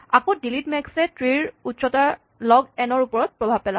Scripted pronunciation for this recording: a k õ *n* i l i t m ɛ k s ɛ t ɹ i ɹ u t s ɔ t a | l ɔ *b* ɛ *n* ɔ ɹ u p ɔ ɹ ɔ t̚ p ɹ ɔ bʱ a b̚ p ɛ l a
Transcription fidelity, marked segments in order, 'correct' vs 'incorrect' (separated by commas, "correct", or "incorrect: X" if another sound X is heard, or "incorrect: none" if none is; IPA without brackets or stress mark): incorrect: d, incorrect: ɡ, correct